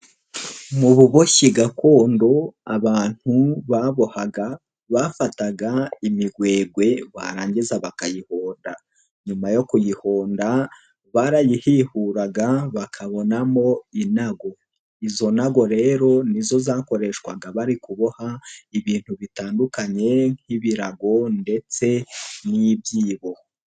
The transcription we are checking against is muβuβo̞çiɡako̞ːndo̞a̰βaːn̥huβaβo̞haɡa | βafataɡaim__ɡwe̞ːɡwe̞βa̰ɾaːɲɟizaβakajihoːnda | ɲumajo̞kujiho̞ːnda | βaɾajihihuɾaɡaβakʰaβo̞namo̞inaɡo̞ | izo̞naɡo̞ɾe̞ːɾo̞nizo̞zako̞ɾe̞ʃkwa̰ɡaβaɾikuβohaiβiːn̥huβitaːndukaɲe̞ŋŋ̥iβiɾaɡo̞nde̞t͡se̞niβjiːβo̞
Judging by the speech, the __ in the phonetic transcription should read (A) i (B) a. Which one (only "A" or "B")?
A